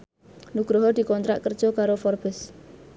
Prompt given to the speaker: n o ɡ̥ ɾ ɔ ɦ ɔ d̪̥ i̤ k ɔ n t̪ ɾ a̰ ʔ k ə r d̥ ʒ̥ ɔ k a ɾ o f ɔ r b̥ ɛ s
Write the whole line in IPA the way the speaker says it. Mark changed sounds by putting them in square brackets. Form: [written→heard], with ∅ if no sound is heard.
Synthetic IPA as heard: n [o→u] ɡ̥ ɾ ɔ ɦ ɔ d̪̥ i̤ k ɔ n t̪ ɾ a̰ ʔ k ə r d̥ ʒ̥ ɔ k a ɾ o f ɔ r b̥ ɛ s